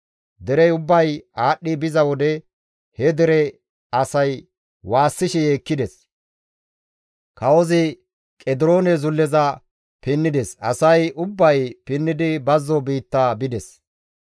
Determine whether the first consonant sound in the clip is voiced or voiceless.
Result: voiced